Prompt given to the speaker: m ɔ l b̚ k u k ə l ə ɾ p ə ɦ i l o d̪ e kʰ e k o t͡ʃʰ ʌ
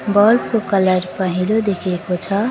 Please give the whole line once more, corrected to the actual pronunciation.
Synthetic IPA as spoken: b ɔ l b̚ k o k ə l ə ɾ p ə ɦ i l o d̪ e kʰ e k o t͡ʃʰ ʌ